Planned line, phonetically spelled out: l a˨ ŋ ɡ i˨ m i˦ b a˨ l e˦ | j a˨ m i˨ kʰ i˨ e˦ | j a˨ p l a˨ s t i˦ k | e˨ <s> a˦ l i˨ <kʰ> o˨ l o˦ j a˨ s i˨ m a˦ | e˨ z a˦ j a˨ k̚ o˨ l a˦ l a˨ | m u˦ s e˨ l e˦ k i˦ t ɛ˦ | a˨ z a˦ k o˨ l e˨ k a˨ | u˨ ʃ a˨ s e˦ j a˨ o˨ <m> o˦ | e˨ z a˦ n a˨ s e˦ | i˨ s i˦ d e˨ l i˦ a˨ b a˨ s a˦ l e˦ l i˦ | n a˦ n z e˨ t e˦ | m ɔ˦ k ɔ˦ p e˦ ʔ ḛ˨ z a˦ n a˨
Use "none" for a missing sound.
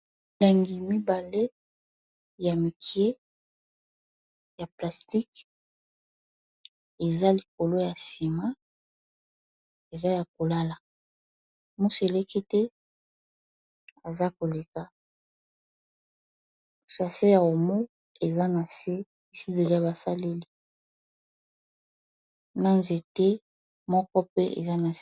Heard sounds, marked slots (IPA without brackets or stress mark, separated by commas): z, k, m